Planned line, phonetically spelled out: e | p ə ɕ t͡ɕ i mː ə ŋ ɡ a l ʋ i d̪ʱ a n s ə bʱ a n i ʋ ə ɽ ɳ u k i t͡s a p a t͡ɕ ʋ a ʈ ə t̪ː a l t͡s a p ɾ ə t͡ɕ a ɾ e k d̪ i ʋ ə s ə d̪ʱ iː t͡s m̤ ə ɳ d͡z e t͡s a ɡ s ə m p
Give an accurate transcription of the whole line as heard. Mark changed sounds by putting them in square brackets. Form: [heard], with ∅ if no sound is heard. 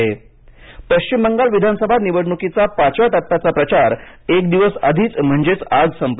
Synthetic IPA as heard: e | p ə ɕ t͡ɕ i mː ə ŋ ɡ a l ʋ i d̪ʱ a n s ə bʱ a n i ʋ ə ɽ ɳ u k i t͡s a p a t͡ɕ ʋ a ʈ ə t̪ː a [∅] t͡s a p ɾ ə t͡ɕ a ɾ e k d̪ i ʋ ə s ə d̪ʱ iː t͡s m̤ ə ɳ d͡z e t͡s a ɡ s ə m p